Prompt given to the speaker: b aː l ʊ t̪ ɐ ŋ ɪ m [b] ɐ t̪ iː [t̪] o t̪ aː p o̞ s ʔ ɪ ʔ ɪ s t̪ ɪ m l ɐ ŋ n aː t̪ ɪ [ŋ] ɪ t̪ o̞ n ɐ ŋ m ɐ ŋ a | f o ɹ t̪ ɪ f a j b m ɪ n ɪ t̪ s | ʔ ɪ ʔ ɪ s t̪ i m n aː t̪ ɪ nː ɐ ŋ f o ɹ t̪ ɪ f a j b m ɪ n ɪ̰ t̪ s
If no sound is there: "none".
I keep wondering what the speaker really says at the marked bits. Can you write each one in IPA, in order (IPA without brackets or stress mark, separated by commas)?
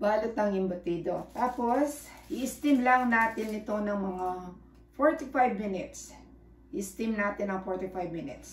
b, d̪, n